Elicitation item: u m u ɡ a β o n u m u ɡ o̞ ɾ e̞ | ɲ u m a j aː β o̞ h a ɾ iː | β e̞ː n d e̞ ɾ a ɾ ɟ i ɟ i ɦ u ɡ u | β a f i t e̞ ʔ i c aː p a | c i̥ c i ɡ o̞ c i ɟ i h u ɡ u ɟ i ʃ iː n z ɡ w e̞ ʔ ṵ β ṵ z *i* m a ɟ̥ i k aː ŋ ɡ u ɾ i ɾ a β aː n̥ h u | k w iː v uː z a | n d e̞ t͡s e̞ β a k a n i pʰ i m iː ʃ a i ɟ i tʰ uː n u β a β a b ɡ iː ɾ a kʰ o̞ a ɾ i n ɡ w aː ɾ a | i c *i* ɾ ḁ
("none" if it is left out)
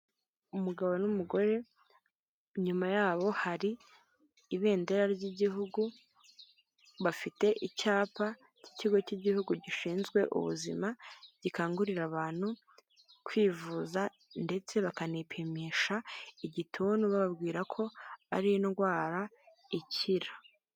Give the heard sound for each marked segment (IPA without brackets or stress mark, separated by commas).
i, i